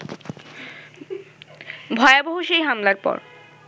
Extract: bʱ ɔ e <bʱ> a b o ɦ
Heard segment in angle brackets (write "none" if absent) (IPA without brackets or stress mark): none